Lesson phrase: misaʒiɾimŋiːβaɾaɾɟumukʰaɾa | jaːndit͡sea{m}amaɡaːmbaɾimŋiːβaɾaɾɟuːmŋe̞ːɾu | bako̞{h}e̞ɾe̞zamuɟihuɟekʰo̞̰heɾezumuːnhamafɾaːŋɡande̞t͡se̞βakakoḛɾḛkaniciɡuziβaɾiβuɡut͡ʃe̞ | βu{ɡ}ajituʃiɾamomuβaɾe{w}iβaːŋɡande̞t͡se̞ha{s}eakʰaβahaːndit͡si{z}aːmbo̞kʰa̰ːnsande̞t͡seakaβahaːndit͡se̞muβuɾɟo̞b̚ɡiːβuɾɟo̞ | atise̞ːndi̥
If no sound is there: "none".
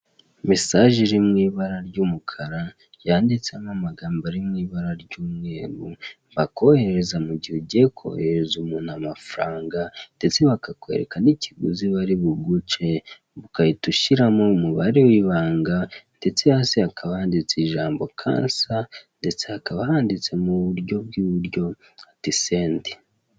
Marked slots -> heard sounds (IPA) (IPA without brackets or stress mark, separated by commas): m, h, k, w, s, ʒ